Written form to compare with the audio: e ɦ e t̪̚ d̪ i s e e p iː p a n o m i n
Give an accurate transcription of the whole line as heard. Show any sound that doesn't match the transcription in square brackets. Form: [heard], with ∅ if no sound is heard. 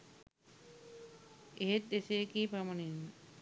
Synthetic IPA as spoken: e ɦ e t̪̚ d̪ [e] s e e [k] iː p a [m] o [n] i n